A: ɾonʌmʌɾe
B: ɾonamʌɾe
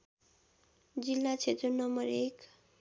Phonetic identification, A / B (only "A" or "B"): A